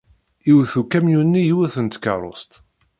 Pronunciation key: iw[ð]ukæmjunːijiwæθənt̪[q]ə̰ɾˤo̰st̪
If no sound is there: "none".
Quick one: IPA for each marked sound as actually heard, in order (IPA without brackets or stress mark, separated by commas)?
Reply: θ, k